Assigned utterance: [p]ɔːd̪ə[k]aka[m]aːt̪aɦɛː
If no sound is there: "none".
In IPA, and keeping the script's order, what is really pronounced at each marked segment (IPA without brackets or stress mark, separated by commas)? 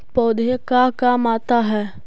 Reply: p, k, m